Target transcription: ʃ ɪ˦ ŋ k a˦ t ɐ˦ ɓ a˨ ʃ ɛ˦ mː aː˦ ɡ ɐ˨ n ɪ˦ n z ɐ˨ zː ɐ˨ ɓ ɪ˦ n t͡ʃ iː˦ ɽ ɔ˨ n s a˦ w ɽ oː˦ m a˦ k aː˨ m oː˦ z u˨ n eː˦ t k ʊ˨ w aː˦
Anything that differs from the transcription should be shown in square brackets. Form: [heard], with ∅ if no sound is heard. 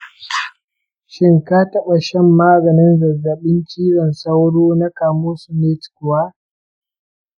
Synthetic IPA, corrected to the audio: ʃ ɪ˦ ŋ k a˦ t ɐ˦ ɓ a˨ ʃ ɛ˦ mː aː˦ ɡ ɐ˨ n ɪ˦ n z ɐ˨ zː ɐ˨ ɓ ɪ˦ n t͡ʃ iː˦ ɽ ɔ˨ n s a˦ w ɽ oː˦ [n] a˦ k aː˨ m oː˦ [s] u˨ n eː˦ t k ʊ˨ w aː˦

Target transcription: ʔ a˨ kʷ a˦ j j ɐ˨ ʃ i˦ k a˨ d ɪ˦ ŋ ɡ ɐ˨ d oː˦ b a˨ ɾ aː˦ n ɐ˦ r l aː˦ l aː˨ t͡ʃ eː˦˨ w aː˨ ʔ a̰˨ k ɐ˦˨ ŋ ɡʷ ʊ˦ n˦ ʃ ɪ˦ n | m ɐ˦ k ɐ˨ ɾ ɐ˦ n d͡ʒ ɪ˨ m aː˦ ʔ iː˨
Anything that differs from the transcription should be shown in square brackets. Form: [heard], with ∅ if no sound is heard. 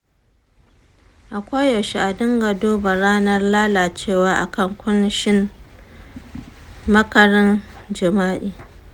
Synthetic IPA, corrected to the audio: ʔ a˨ kʷ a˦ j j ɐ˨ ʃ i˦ [ʔ] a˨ d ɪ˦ ŋ ɡ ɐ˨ d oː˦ b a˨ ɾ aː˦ n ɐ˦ r l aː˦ l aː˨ t͡ʃ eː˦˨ w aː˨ ʔ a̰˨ k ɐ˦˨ ŋ [kʷ] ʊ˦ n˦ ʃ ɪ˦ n | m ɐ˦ k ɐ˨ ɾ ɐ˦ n d͡ʒ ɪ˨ m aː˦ ʔ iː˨

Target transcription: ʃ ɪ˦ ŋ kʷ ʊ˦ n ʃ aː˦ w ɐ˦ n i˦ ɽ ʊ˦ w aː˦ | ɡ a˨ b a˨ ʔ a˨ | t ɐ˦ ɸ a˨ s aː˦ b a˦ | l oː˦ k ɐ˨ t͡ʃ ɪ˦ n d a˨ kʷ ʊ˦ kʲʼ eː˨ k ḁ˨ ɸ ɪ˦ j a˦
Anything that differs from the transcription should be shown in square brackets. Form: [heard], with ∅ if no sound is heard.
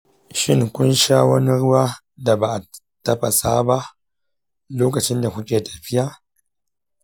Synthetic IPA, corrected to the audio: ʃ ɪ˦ ŋ kʷ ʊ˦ n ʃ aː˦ w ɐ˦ n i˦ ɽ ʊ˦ w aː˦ | [d] a˨ b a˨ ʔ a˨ | t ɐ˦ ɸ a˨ s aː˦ b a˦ | l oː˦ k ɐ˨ t͡ʃ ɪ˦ n d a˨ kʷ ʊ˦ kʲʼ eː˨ [t] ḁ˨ ɸ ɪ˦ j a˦

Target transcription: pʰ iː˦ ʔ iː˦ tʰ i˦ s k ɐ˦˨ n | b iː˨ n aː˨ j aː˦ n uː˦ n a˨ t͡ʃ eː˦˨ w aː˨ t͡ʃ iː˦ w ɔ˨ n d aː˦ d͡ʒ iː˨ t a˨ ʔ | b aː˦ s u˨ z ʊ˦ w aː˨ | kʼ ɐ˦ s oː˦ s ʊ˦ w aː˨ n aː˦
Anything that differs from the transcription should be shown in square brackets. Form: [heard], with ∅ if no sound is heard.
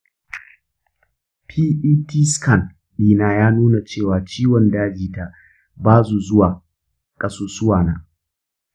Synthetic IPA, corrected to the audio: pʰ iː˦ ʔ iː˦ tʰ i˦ s k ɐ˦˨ n | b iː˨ n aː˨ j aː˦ n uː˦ n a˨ t͡ʃ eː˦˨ w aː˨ t͡ʃ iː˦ w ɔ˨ n d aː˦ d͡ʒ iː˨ t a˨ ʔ | b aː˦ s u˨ z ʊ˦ w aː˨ | kʼ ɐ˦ s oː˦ s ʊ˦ w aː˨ n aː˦

